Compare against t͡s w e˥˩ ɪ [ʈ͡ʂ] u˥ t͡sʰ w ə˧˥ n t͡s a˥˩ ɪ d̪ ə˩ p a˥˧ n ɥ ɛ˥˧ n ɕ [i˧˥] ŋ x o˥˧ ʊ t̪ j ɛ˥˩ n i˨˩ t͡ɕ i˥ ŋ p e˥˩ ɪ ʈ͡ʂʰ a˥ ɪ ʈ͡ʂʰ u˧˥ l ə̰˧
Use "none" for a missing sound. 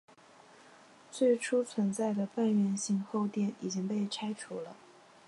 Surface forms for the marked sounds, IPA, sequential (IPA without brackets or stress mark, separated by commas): ʈ͡ʂʰ, i˥˧